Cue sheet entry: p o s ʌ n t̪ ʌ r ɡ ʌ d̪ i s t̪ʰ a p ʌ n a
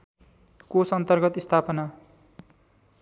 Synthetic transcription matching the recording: k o s ʌ n t̪ ʌ r ɡ ʌ t̪ i s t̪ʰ a p ʌ n a